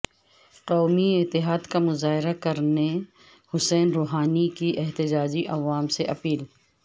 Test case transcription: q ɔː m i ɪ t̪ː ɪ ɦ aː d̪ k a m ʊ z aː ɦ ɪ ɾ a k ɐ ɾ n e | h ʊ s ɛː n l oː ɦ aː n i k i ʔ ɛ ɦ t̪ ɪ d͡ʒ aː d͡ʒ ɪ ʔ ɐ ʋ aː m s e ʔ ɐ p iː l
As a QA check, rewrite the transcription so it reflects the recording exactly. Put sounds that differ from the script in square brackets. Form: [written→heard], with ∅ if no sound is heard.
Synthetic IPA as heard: q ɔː m i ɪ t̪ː ɪ ɦ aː d̪ k a m ʊ z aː ɦ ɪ ɾ a k ɐ ɾ n e | h ʊ s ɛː n [l→ɾ] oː ɦ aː n i k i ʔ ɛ ɦ t̪ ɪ d͡ʒ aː d͡ʒ [ɪ→i] ʔ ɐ ʋ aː m s e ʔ ɐ p iː l